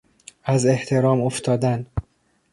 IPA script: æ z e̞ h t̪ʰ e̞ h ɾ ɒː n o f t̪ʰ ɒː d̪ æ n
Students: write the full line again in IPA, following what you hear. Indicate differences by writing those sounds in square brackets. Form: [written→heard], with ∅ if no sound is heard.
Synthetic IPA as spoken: æ z e̞ h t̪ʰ e̞ [h→∅] ɾ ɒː [n→m] o f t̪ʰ ɒː d̪ æ n

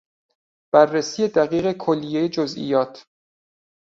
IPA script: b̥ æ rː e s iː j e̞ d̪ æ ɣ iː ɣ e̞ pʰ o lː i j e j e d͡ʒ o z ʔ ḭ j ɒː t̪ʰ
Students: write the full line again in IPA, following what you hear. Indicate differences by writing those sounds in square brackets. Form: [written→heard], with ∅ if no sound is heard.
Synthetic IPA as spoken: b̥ æ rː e s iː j e̞ d̪ æ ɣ iː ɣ e̞ [pʰ→kʰ] o lː i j e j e d͡ʒ o z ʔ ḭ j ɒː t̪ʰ

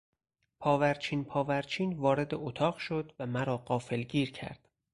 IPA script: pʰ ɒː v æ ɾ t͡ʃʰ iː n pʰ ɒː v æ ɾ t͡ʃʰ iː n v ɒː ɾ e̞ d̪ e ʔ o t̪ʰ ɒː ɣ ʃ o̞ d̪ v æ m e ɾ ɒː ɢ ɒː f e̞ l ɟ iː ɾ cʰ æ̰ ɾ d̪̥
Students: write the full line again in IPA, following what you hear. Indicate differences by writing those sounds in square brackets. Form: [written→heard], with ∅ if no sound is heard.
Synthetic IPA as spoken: pʰ ɒː v æ ɾ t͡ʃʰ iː n pʰ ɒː v æ ɾ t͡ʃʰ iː n v ɒː ɾ e̞ d̪ e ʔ o t̪ʰ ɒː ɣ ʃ o̞ d̪ v æ m [e→æ] ɾ ɒː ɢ ɒː f e̞ l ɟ iː ɾ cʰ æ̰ ɾ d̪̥

